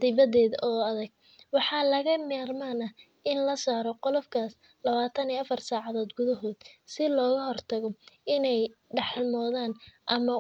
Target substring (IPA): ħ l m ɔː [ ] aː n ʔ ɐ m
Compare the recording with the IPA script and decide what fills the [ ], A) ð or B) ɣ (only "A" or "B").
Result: A